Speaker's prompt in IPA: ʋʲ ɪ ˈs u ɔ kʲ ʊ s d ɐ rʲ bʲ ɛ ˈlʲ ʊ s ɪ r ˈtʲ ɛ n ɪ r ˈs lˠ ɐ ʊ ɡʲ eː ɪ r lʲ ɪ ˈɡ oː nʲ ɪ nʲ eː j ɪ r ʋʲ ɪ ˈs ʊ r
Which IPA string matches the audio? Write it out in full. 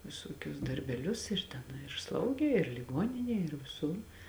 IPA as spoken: ʋʲ ɪ ˈs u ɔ kʲ ʊ s d ɐ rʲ bʲ ɛ ˈlʲ ʊ s ɪ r ˈtʲ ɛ n ɪ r ˈs lˠ ɐ ʊ ɡʲ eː ɪ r lʲ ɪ ˈɡ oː nʲ ɪ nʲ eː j ɪ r ʋʲ ɪ ˈs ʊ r